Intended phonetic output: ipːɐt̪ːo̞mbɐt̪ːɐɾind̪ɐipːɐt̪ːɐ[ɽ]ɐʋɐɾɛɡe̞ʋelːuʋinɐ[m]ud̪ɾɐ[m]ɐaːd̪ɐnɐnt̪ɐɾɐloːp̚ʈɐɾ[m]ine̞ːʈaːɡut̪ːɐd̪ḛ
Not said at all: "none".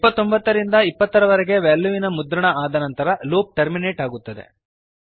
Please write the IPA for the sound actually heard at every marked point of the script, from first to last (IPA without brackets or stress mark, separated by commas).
ɾ, m, ɳ, m